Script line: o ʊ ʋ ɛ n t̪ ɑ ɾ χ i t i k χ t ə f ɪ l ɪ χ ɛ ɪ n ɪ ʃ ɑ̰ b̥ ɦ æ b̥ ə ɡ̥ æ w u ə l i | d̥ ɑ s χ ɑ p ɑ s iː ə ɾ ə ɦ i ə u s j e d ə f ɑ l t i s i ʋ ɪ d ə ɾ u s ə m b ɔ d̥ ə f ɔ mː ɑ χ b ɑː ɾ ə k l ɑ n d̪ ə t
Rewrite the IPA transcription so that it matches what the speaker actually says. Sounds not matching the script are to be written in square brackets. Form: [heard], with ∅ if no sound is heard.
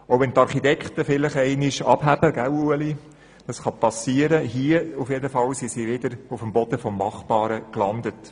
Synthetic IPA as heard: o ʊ ʋ ɛ n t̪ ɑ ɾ χ i t [ɛ] k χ t ə f ɪ l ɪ χ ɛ ɪ n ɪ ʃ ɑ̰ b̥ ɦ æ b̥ ə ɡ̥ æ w u ə l i | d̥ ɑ s χ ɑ p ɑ s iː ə ɾ ə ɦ i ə u [f] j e d ə f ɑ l [s] i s i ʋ ɪ d ə ɾ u [f] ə m b ɔ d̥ ə f ɔ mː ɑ χ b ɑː ɾ ə k l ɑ n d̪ ə t